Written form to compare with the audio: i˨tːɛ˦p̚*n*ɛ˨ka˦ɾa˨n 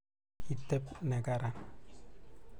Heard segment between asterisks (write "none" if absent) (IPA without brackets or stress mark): n